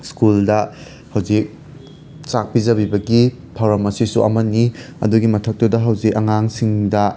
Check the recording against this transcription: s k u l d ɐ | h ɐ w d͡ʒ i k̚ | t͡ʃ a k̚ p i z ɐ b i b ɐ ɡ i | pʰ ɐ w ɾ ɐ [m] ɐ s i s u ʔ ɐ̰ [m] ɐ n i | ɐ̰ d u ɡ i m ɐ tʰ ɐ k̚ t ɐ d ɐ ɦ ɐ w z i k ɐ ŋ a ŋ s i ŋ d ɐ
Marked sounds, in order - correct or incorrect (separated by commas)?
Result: correct, correct